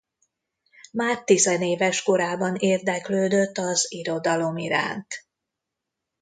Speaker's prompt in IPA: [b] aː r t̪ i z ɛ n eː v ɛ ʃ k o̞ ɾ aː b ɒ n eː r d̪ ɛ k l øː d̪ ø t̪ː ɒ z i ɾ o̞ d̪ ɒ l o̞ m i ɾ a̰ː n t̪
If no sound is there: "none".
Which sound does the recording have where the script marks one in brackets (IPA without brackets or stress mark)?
m